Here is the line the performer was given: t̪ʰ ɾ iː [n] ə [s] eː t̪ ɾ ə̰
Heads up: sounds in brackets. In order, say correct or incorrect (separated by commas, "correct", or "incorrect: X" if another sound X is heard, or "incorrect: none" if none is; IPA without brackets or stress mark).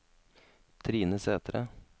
correct, correct